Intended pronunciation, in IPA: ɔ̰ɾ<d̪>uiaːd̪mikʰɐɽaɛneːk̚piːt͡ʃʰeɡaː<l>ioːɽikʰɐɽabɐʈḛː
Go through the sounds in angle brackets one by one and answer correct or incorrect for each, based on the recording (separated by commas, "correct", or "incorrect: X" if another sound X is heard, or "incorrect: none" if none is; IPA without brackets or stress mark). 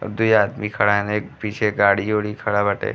correct, incorrect: ɽ